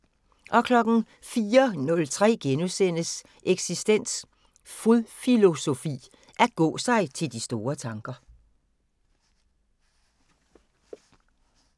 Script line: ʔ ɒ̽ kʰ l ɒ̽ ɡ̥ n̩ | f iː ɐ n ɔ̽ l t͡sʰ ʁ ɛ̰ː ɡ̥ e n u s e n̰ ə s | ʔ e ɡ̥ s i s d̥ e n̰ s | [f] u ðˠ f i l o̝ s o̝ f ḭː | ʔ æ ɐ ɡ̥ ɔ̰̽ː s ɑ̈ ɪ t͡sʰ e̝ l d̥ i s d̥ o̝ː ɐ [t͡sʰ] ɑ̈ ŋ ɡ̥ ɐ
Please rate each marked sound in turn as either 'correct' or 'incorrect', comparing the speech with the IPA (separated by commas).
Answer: correct, correct